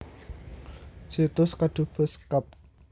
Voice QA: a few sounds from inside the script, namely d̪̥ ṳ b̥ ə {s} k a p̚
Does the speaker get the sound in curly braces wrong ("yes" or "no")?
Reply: no